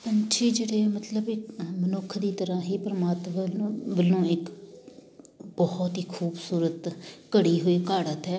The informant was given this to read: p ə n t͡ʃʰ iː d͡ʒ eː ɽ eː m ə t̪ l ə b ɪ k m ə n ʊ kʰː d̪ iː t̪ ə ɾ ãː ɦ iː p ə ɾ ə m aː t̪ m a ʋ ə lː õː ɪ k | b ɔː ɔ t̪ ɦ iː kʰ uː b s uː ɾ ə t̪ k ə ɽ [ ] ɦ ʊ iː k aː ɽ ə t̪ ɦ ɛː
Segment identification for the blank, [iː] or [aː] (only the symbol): iː